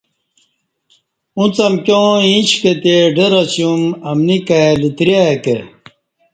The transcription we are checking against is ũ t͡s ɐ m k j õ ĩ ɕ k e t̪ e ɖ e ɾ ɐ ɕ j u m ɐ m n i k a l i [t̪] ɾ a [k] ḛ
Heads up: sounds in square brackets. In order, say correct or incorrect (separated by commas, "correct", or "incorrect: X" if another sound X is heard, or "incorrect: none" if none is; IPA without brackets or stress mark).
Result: correct, correct